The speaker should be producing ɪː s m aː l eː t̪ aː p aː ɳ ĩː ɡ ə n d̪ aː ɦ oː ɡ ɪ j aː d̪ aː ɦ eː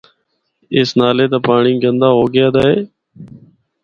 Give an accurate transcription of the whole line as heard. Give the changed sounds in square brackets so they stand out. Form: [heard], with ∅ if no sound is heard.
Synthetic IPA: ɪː s [n] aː l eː t̪ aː p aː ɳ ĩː ɡ ə n d̪ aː ɦ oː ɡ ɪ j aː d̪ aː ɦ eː